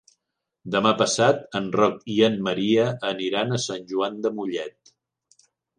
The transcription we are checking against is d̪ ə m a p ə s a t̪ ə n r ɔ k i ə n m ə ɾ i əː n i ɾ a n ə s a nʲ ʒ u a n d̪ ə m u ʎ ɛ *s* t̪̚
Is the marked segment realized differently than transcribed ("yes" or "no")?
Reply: yes